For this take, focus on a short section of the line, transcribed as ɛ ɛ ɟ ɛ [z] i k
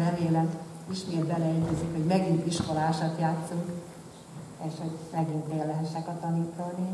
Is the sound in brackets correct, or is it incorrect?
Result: correct